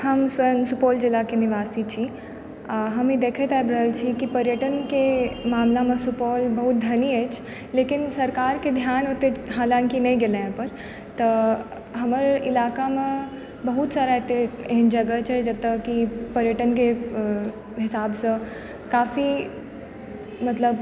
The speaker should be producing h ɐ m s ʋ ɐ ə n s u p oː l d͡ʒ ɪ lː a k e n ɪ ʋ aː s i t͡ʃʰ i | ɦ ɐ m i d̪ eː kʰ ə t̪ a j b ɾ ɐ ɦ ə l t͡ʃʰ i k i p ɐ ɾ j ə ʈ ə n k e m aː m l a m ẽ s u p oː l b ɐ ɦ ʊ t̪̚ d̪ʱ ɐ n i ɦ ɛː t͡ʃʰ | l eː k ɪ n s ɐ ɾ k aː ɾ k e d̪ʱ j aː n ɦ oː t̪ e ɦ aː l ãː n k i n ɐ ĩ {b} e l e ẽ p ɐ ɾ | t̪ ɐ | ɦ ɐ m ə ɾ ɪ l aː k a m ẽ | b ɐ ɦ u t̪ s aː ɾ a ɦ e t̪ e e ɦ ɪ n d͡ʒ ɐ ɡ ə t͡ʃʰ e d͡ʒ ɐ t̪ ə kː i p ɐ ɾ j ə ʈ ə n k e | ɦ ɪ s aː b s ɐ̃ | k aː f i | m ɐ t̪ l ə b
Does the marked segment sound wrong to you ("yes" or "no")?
yes